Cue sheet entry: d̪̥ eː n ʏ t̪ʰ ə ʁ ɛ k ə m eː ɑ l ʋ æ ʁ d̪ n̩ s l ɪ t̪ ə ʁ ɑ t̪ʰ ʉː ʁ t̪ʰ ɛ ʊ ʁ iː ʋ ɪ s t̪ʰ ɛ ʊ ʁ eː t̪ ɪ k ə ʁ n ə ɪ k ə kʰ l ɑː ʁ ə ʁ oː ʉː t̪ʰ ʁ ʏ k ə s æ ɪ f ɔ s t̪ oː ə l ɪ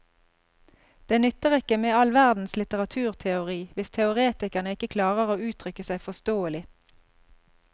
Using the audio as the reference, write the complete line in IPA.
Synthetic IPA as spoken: d̪̥ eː n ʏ t̪ ə ʁ ɛ k ə m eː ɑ l ʋ æ ʁ d̪ n̩ s l ɪ t̪ ə ʁ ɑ t̪ʰ ʉː ʁ t̪ʰ ɛ ʊ ʁ iː ʋ ɪ s t̪ʰ ɛ ʊ ʁ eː t̪ ɪ k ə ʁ n ə ɪ k ə kʰ l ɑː ʁ ə ʁ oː ʉː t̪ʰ ʁ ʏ k ə s æ ɪ f ɔ s t̪ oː ə l ɪ

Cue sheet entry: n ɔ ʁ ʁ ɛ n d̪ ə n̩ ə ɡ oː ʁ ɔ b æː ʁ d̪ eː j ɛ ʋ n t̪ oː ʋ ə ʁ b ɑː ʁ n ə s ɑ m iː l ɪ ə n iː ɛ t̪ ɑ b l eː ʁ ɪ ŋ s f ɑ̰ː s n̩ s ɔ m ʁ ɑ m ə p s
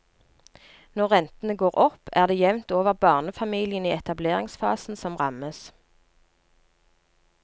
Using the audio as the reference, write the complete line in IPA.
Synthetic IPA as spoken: n ɔ ʁ ʁ ɛ n t̪ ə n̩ ə ɡ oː ʁ ɔ p æː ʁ d̪ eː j ɛ ʋ n t̪ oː ʋ ə ʁ b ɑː ʁ n ə f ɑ m iː l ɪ ə n iː ɛ t̪ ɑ b l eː ʁ ɪ ŋ s f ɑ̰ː s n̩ s ɔ m ʁ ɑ m ə s

